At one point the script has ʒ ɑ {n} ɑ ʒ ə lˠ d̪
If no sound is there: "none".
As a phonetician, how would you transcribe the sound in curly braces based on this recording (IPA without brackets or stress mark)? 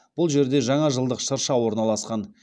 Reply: ɴ